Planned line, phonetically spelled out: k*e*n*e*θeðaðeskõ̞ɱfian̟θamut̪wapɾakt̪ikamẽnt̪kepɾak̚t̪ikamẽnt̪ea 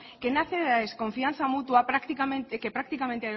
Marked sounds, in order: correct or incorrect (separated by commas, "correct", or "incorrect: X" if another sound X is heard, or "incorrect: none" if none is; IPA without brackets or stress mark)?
correct, incorrect: a